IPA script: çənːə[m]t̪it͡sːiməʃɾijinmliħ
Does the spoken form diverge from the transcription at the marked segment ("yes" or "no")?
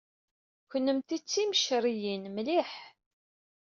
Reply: no